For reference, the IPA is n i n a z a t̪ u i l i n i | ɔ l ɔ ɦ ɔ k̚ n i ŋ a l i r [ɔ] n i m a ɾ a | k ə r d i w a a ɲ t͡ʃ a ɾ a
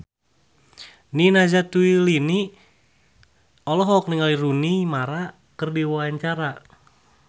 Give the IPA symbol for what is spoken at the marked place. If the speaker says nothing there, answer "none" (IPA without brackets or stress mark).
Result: u